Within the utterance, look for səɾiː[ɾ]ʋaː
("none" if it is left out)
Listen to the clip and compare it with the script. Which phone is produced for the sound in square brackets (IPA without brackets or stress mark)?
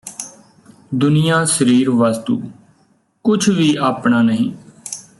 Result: ɾ